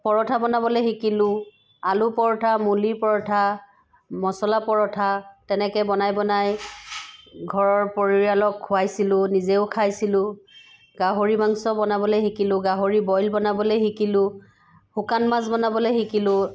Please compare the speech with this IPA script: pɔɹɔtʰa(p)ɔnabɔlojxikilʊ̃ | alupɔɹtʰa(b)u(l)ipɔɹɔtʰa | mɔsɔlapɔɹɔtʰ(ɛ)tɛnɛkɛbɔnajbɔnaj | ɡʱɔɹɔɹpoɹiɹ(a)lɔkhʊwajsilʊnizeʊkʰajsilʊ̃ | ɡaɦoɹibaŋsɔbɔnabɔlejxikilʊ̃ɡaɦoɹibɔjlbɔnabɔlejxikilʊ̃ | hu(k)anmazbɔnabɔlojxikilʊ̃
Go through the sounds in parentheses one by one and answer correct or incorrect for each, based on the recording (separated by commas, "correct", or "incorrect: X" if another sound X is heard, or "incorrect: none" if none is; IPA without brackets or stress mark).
incorrect: b, incorrect: m, correct, incorrect: a, correct, correct